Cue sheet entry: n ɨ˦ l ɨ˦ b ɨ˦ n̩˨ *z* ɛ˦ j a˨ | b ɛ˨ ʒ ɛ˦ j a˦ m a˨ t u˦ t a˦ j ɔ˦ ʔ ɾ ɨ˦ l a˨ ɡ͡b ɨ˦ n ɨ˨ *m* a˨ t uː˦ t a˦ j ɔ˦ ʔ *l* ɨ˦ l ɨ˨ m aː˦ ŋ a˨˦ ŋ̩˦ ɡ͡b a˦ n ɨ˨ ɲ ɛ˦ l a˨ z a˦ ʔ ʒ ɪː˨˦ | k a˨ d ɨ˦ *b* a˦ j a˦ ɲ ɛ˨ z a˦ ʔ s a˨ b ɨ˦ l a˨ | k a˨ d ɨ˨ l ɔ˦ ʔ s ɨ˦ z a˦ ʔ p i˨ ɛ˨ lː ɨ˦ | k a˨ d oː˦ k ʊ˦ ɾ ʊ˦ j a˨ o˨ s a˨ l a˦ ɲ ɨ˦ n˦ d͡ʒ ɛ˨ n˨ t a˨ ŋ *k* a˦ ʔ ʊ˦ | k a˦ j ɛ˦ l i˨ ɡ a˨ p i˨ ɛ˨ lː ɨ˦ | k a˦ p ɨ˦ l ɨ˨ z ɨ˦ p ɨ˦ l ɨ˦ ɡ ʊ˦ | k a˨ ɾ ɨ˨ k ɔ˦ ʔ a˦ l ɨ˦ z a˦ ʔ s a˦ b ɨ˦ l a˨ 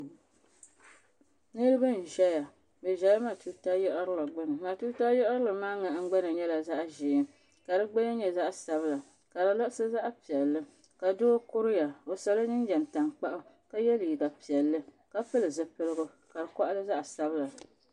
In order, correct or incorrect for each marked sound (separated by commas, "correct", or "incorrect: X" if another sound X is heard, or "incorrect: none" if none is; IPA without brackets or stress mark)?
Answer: incorrect: ʒ, correct, incorrect: ɾ, incorrect: ɡ͡b, incorrect: k͡p